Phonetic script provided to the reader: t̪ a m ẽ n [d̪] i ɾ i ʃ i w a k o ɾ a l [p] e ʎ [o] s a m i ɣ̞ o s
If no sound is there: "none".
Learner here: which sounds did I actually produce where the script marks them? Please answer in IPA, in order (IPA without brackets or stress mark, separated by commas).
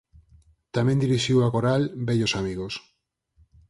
d̪, b, o